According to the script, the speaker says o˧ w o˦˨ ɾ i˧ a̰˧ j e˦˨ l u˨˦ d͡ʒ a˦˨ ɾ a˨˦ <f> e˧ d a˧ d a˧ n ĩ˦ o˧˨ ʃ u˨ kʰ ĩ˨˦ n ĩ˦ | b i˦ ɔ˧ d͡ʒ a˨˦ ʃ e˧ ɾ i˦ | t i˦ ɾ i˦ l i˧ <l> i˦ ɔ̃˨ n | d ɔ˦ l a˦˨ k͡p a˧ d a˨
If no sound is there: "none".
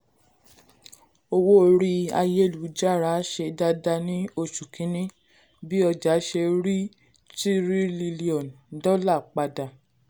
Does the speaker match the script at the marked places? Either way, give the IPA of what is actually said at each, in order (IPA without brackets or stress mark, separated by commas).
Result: ʃ, l